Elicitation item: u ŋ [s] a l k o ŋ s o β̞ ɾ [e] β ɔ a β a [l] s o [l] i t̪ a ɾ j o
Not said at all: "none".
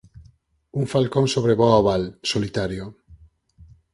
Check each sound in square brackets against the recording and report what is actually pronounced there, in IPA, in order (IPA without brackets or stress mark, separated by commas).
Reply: f, e, l, l